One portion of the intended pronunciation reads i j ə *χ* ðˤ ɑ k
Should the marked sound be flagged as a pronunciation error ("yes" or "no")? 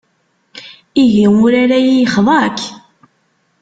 no